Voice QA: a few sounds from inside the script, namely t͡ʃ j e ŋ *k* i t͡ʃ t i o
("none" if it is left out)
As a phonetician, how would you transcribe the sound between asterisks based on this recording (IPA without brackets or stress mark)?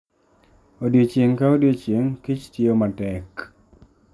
k